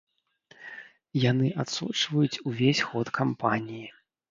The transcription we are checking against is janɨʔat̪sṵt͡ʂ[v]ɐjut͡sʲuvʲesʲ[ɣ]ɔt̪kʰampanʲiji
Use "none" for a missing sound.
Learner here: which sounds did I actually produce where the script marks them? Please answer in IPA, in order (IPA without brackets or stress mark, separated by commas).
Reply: v, x